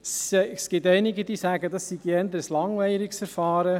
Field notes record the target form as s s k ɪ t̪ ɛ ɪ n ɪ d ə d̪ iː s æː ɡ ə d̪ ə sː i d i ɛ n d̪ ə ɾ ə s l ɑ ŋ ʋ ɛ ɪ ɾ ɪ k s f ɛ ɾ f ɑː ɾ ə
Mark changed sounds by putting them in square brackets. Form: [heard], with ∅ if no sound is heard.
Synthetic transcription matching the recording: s s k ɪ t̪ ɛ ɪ n ɪ [ɡ] ə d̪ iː s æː ɡ ə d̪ [ɑ] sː i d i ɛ n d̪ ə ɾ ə s l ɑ ŋ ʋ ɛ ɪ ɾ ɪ k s f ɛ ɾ f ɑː ɾ ə